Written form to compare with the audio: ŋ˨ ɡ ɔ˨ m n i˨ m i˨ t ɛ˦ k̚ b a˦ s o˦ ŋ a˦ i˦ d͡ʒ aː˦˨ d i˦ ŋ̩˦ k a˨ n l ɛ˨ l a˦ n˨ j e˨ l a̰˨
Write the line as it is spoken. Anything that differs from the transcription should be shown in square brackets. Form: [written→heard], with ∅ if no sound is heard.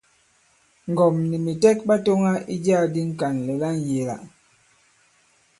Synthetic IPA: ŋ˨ ɡ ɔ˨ m n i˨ m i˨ t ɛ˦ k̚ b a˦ [s→t] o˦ ŋ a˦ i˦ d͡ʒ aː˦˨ d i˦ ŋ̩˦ k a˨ n l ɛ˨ l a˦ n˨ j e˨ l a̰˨